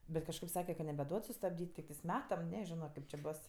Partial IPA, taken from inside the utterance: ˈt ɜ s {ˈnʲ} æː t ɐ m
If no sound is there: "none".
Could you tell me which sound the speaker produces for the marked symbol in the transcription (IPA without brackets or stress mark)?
mʲ